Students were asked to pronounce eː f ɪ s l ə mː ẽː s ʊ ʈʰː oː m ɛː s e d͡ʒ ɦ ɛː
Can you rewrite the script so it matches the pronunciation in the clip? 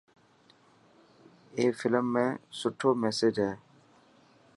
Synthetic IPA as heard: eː f ɪ l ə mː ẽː s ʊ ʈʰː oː m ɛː s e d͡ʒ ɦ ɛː